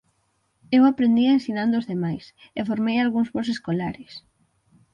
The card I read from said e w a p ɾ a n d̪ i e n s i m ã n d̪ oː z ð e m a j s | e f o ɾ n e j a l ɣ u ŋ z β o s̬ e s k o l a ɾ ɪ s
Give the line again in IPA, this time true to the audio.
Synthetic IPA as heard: e w a p ɾ e n d̪ i e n s i n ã n d̪ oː z ð e m a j s | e f o ɾ m e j a l ɣ u ŋ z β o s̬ e s k o l a ɾ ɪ s